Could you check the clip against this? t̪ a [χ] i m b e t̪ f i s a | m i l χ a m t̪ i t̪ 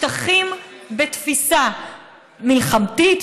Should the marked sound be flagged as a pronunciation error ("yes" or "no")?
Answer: no